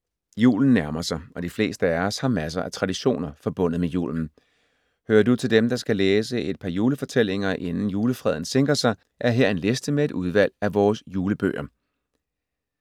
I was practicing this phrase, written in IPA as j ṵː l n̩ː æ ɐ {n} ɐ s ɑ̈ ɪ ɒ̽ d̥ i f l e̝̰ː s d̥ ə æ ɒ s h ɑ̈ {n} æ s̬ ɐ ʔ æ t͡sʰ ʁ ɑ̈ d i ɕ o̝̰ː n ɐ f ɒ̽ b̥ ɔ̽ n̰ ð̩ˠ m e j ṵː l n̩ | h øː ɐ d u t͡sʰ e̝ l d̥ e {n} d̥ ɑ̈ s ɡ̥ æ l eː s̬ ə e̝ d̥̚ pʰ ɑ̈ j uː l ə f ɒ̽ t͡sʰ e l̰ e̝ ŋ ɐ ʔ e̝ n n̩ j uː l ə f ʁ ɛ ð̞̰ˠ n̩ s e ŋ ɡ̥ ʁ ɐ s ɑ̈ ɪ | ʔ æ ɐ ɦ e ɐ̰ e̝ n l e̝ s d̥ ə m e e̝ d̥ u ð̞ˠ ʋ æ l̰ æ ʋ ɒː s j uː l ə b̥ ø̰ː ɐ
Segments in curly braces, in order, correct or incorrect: incorrect: m, incorrect: m, incorrect: m

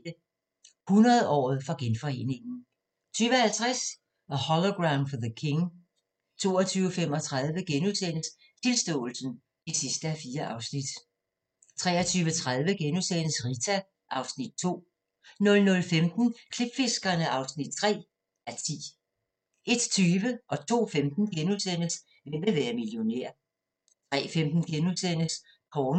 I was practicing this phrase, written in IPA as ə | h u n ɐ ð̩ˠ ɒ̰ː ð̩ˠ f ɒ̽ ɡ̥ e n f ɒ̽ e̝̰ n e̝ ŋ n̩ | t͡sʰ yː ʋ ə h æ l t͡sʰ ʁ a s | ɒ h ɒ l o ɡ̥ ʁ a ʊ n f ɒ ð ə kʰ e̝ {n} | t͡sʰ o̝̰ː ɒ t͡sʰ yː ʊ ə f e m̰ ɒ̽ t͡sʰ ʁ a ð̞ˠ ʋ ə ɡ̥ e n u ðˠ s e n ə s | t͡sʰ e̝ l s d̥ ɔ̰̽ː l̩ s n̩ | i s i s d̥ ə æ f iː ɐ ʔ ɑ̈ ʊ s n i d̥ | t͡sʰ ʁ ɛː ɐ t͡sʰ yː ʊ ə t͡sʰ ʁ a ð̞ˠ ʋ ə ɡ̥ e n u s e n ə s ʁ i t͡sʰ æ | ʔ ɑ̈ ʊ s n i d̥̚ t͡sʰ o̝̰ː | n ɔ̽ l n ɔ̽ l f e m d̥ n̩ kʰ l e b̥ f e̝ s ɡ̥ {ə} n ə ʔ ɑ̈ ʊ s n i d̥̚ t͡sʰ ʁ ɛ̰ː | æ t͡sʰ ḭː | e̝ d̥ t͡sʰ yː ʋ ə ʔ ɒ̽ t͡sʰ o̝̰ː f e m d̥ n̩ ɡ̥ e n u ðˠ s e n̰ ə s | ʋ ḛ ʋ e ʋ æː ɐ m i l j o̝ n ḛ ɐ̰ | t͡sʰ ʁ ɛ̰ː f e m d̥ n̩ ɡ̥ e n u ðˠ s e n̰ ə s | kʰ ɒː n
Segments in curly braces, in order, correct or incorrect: incorrect: ŋ, incorrect: ɐ

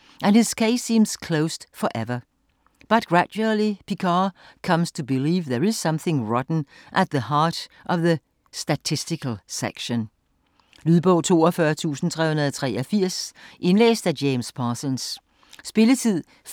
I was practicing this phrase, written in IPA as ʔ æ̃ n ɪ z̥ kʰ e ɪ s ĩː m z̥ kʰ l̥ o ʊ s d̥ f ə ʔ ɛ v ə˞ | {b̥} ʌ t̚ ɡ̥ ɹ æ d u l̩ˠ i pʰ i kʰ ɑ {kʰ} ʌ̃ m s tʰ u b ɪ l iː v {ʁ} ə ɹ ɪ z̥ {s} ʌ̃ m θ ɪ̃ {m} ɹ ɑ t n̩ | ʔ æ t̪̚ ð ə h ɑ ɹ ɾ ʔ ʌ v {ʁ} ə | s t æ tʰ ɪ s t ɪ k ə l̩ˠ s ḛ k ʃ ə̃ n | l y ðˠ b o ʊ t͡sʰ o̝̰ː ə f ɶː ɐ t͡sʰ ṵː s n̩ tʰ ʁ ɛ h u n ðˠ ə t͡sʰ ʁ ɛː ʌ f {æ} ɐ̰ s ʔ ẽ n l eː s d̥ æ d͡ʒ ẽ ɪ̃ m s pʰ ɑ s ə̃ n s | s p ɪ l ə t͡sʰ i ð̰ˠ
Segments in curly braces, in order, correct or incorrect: correct, correct, incorrect: ð, correct, incorrect: ŋ, incorrect: ð, incorrect: i

